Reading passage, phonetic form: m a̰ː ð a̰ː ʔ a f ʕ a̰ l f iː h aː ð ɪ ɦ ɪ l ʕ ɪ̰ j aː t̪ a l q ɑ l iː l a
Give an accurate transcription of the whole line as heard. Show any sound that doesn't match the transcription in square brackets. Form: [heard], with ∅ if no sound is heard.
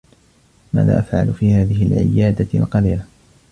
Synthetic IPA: m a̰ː ð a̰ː ʔ a f ʕ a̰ l f iː h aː ð ɪ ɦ ɪ l ʕ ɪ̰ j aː [d̪] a l q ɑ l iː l a